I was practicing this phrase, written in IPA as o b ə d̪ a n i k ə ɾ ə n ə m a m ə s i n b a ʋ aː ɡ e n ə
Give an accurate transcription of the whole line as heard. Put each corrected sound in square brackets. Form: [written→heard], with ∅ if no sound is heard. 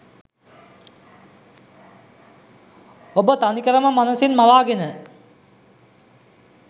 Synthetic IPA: o b ə [d̪→t̪] a n i k ə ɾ ə [n→m] ə m a [m→n] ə s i n [b→m] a ʋ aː ɡ e n ə